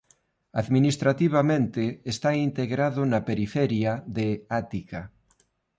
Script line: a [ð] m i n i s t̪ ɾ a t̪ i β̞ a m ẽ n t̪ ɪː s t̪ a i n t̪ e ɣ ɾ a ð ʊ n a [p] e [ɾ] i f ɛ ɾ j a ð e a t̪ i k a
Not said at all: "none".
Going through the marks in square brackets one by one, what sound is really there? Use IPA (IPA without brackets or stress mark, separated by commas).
ð, p, ɾ